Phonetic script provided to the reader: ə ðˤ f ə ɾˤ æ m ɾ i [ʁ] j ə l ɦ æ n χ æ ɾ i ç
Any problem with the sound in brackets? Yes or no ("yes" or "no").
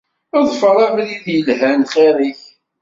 yes